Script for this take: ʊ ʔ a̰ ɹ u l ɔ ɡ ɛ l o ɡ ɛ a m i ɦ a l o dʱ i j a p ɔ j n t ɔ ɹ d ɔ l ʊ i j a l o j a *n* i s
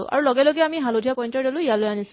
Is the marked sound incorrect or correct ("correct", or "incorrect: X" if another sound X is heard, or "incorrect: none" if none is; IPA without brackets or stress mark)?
correct